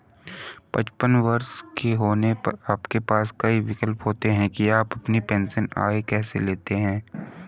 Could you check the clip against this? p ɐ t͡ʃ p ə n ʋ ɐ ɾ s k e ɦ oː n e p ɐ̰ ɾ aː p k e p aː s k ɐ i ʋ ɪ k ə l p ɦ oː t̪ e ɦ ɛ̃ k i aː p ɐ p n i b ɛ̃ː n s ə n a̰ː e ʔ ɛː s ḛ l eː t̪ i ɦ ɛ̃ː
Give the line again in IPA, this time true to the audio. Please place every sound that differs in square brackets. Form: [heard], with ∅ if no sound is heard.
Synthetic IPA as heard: p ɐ t͡ʃ p ə n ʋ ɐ ɾ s k e ɦ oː n e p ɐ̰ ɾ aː p k e p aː s k ɐ i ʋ ɪ k ə l p ɦ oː t̪ e ɦ ɛ̃ k i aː p ɐ p n i [p] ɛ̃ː n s ə n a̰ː e [k] ɛː s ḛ l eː t̪ [e] ɦ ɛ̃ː

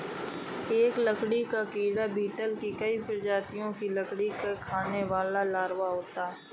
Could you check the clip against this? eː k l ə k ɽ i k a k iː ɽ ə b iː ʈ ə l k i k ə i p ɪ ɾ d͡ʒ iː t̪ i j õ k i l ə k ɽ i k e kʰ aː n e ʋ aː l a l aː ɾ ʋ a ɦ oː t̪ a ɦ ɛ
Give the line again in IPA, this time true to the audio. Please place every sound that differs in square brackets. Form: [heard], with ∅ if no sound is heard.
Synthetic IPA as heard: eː k l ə k ɽ i k a k iː ɽ [a] b iː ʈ ə l k i k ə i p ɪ ɾ d͡ʒ [aː] t̪ i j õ k i l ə k ɽ i k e kʰ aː n e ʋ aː l a l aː ɾ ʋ a ɦ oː t̪ a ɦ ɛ

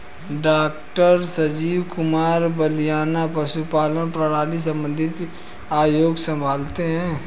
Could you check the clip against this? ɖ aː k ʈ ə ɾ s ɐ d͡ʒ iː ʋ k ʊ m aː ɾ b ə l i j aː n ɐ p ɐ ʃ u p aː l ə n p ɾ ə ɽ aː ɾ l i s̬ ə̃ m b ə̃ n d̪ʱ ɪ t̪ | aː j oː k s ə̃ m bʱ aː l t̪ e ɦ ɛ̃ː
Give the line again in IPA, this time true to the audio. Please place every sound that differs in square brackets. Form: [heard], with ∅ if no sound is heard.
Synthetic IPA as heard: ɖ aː k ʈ ə ɾ s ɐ d͡ʒ iː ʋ k ʊ m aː ɾ b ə l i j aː n [a] p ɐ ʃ u p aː l ə n p ɾ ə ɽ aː [∅] l i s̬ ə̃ m b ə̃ n d̪ʱ ɪ t̪ | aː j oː [ɡ] s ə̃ m bʱ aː l t̪ e ɦ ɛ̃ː

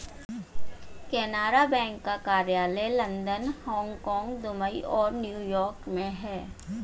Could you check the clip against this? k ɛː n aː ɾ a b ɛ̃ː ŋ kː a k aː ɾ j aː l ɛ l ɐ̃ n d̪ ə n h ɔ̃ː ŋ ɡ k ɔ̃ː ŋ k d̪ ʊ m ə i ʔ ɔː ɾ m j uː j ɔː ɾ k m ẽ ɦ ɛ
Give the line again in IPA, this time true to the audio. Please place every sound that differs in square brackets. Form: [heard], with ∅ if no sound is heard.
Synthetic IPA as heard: k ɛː n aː ɾ a b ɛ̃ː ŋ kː a k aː ɾ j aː l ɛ l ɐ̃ n d̪ ə n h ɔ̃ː ŋ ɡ k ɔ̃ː ŋ [ɡ] d̪ ʊ m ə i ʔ ɔː ɾ [n] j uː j ɔː ɾ k m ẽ ɦ [ɛː]

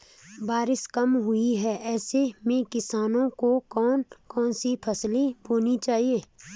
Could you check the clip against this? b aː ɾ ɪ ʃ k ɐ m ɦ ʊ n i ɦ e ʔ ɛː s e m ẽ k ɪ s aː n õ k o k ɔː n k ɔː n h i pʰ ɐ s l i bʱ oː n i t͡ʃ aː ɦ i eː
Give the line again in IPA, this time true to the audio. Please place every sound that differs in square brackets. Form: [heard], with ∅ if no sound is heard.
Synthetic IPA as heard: b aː ɾ ɪ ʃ k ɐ m ɦ ʊ [∅] i ɦ [ɛ] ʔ ɛː s e m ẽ k ɪ s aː n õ k o k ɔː n k ɔː n [s] i pʰ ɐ s l i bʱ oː n i t͡ʃ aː ɦ i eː

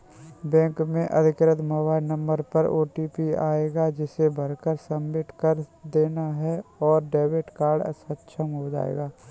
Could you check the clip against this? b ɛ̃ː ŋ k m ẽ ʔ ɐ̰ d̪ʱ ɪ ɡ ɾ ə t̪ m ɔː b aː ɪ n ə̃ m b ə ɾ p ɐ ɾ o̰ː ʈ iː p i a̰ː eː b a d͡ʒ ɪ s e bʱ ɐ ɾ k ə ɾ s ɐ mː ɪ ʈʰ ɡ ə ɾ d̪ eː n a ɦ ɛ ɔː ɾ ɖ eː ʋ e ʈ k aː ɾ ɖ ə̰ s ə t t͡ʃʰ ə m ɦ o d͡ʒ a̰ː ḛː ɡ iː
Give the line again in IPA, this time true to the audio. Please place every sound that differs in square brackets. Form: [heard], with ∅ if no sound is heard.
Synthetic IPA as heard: b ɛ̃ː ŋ k m ẽ ʔ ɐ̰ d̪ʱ ɪ [k] ɾ ə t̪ m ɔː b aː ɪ n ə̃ m b ə ɾ p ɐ ɾ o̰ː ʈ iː p i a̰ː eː [ɡ] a d͡ʒ ɪ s e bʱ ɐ ɾ k ə ɾ s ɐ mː ɪ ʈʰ [k] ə ɾ d̪ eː n a ɦ ɛ ɔː ɾ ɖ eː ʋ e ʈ k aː ɾ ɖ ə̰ s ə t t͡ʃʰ ə m ɦ o d͡ʒ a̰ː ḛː ɡ [aː]

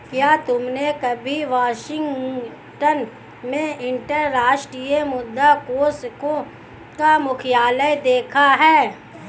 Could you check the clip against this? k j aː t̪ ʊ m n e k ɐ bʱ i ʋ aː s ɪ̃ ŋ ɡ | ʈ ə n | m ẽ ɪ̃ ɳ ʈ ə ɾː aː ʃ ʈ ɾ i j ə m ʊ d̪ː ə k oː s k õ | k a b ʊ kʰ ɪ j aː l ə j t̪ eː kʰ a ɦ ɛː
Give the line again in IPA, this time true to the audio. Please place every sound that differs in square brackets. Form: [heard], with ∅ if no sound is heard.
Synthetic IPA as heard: k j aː t̪ ʊ m n e k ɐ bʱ i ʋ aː [ʃ] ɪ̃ ŋ ɡ | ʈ ə n | m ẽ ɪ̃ ɳ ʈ ə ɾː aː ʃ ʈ ɾ i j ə m ʊ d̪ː [a] k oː s k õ | k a [m] ʊ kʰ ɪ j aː l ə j [d̪] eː kʰ a ɦ ɛː

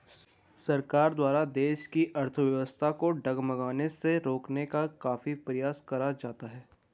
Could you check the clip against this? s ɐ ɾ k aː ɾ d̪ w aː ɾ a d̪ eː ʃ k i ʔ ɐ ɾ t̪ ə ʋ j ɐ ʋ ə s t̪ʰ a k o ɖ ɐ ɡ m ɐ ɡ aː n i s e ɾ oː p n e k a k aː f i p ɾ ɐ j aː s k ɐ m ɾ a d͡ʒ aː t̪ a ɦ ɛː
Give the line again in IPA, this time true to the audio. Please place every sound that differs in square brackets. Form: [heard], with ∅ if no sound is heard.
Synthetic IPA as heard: s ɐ ɾ k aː ɾ d̪ w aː ɾ a d̪ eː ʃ k i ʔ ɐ ɾ [t̪ʰ] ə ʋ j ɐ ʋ ə s t̪ʰ a k o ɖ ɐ ɡ m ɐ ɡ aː n [e] s e ɾ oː [k] n e k a k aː f i p ɾ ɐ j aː s k ɐ [∅] ɾ a d͡ʒ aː t̪ a ɦ ɛː

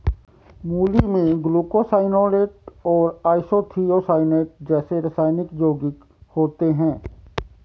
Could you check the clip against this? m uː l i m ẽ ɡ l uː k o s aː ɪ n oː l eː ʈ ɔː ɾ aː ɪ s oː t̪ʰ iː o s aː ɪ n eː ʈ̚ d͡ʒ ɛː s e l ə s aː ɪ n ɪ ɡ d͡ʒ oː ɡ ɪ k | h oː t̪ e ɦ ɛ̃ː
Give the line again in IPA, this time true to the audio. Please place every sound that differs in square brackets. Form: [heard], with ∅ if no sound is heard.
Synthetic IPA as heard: m uː l i m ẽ ɡ l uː k o s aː ɪ n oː l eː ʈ ɔː ɾ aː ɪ s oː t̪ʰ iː o s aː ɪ n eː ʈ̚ d͡ʒ ɛː s e [ɾ] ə s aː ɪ n ɪ [k] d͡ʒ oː ɡ ɪ k | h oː t̪ e ɦ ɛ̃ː

